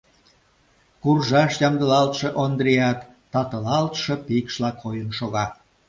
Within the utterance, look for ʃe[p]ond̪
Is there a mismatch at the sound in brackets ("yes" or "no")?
yes